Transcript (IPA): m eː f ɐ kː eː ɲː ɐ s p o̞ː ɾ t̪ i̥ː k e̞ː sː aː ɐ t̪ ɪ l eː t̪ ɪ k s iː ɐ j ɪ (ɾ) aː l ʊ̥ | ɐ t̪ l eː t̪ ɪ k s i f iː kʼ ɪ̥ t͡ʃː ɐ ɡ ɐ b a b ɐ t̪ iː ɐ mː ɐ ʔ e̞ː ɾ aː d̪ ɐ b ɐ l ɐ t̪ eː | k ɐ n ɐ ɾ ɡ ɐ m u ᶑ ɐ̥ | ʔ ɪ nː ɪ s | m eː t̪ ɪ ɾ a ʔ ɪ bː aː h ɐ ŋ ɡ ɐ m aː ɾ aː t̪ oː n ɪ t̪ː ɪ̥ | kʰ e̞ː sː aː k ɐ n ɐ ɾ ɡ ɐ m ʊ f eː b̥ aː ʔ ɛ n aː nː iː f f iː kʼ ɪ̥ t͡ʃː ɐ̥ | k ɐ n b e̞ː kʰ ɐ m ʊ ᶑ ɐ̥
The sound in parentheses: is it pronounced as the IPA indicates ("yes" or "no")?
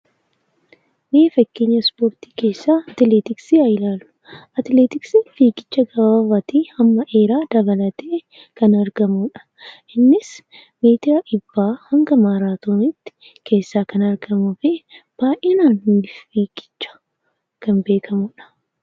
no